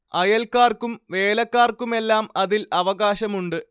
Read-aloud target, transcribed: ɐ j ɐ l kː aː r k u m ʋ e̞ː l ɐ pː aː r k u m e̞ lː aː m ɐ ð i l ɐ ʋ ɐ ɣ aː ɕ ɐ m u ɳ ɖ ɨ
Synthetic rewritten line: ɐ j ɐ l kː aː r k u m ʋ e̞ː l ɐ kː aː r k u m e̞ lː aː m ɐ ð i l ɐ ʋ ɐ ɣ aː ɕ ɐ m u ɳ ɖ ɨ